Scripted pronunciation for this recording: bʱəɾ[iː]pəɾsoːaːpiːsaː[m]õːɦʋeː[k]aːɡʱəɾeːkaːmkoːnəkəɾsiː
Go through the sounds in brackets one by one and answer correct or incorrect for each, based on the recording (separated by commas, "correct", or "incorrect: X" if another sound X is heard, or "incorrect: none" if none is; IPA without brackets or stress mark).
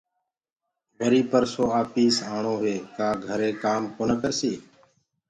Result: correct, incorrect: ɳ, correct